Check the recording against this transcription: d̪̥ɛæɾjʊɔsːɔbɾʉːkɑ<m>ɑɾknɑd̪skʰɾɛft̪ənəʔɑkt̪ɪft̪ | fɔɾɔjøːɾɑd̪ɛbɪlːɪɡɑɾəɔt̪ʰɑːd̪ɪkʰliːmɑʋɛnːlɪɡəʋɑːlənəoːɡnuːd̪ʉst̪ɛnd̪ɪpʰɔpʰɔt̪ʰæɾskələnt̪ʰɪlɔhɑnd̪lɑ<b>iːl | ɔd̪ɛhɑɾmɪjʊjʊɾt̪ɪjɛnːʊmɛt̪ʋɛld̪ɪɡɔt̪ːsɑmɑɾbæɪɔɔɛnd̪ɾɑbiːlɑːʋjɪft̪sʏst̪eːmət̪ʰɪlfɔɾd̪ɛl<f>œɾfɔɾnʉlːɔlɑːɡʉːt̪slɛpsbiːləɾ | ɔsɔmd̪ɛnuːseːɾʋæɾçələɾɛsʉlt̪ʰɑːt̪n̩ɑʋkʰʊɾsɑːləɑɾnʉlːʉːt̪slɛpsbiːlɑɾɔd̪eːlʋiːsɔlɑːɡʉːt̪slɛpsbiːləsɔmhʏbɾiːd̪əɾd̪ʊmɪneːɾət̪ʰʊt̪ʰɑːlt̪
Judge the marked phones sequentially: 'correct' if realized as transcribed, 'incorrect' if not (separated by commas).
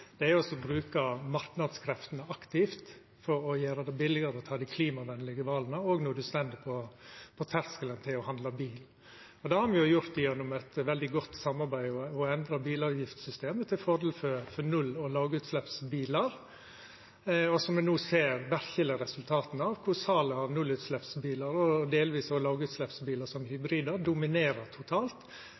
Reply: correct, correct, correct